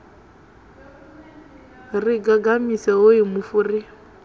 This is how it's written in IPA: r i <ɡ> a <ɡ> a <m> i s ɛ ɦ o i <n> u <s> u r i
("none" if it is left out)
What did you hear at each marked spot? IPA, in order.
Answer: ɡ, ɡ, m, m, f

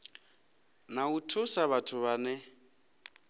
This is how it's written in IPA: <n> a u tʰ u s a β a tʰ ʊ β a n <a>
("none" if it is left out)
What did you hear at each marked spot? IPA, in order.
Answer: n, ɛ

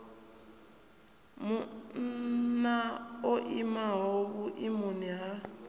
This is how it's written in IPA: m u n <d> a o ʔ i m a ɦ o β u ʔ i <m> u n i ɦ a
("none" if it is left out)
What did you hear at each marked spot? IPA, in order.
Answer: n, m

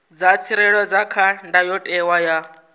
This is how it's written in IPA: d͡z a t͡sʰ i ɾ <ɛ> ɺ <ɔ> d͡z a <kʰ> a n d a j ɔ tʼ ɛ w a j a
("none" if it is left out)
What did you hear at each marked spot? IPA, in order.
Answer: ɛ, ɔ, kʰ

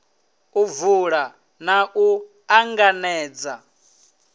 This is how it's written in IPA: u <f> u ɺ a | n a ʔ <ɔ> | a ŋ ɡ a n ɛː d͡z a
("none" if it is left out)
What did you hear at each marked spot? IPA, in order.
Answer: v, u

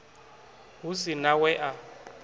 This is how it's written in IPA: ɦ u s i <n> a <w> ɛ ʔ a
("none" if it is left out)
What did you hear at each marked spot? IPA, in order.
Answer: n, w

